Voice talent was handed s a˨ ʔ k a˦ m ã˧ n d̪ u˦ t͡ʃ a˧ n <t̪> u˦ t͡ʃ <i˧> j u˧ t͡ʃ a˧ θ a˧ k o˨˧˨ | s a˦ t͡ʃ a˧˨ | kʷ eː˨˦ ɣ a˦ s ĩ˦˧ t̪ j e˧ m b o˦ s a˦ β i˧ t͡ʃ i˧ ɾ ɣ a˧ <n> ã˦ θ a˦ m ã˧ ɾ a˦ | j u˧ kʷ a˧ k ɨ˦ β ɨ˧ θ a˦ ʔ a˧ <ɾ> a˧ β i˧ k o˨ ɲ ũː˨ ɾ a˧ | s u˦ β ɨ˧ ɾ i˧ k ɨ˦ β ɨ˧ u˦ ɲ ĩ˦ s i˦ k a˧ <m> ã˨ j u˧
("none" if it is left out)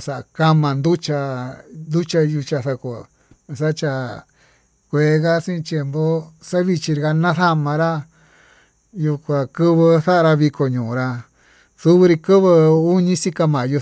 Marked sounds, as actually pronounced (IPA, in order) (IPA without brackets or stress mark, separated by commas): d̪, a˧, n, ɾ, m